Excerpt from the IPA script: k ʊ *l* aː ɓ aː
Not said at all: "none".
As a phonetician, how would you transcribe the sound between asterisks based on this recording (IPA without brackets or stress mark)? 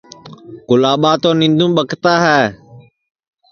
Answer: l